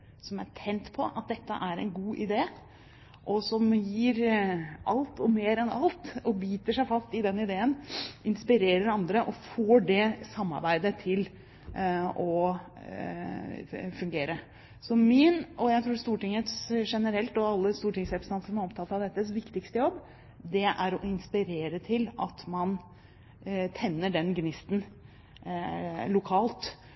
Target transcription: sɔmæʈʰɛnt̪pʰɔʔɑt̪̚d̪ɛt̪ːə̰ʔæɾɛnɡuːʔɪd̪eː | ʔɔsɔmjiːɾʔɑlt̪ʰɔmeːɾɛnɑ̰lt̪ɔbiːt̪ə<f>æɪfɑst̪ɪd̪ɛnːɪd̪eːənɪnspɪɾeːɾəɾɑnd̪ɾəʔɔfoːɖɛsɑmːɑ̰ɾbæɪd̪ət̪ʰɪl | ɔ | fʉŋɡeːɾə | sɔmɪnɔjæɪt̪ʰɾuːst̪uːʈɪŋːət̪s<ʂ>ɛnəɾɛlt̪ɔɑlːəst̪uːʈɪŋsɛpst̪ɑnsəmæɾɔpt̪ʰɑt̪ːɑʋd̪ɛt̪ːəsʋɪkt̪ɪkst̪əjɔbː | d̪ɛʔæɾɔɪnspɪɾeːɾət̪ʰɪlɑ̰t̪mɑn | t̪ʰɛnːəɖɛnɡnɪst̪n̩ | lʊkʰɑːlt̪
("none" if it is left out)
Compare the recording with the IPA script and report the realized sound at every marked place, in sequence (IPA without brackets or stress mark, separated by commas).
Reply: ʂ, ʂ